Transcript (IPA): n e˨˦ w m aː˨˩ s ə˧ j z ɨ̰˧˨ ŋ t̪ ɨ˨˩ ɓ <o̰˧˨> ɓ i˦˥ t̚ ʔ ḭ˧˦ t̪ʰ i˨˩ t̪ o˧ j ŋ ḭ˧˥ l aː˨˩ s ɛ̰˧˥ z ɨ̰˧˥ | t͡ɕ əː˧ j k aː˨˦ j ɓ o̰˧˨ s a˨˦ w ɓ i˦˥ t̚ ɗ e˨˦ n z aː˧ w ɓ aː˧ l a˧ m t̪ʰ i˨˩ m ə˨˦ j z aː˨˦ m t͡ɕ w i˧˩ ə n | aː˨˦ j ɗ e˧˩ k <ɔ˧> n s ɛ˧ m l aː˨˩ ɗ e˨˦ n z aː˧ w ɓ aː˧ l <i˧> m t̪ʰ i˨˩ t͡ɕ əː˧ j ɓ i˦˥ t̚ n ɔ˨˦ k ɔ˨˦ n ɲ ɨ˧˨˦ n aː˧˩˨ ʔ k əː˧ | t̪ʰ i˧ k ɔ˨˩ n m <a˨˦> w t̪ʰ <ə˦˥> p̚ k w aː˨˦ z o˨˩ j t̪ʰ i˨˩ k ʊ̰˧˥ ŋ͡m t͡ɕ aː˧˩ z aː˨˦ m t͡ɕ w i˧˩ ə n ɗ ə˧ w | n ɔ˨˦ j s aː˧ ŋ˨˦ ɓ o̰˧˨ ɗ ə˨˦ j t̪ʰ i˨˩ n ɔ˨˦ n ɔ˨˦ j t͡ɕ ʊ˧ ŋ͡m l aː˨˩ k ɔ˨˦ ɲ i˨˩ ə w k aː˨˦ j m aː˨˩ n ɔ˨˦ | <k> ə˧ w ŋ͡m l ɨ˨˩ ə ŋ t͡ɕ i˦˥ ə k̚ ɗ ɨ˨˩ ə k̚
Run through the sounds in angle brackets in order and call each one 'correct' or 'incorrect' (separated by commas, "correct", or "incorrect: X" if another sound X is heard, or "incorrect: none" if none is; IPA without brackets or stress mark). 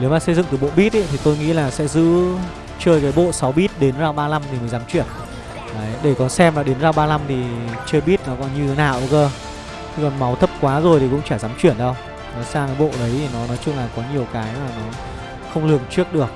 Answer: correct, incorrect: ɔ˨˩, incorrect: a˧, correct, correct, incorrect: x